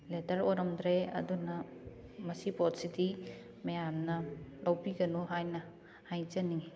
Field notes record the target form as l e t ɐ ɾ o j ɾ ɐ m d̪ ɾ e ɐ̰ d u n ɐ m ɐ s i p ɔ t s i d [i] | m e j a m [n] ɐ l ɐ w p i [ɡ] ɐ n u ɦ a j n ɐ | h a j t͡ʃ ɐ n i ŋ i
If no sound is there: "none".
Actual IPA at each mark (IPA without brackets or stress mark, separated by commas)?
i, n, ɡ